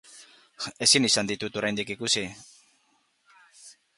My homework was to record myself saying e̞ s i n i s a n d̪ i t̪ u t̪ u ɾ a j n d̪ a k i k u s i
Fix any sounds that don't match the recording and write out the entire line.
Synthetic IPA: e̞ s i n i s a n d̪ i t̪ u t̪ o ɾ a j n d̪ i k i k u s i